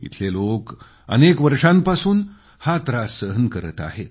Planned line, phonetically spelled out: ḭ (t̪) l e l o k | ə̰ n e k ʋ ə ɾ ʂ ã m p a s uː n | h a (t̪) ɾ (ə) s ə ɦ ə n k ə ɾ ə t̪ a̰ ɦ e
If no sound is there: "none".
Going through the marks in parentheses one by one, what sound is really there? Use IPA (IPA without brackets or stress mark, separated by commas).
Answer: t̪ʰ, t̪, a